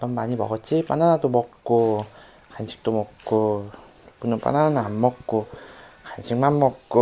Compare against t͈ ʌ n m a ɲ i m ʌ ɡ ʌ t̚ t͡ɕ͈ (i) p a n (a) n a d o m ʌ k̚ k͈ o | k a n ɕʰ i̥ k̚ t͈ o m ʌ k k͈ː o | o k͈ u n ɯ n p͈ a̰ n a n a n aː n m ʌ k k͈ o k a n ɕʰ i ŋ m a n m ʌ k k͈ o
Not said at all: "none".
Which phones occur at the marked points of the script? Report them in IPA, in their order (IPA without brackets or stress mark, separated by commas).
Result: i, a